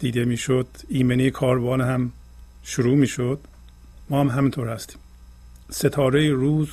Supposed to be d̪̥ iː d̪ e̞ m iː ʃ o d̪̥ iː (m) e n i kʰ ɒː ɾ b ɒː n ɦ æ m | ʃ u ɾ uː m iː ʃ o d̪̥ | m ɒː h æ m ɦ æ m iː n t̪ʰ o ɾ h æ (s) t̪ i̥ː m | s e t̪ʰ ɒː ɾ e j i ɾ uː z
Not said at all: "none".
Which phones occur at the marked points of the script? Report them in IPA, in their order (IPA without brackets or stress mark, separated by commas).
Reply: m, s